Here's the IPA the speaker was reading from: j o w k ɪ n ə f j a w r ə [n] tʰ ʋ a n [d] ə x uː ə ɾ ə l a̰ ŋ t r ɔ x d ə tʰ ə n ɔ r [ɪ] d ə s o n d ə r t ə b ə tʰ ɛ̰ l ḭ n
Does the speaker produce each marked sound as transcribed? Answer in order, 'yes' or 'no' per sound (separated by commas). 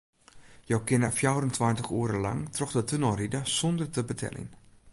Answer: yes, no, no